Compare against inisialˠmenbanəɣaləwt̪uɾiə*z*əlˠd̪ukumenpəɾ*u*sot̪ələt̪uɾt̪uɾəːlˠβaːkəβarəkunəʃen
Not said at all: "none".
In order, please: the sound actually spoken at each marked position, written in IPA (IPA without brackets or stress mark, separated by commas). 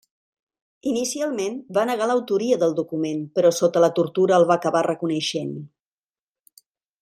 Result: ð, ɔ